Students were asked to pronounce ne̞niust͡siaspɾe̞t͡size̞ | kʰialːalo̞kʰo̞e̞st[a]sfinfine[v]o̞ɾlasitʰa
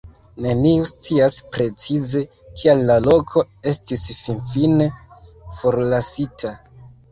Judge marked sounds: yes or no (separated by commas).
no, no